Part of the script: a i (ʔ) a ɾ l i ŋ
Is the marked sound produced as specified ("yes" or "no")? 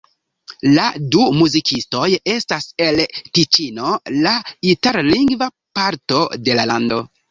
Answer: no